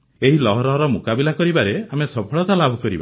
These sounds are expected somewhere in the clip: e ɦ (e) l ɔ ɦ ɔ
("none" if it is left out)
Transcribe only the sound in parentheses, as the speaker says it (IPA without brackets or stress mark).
i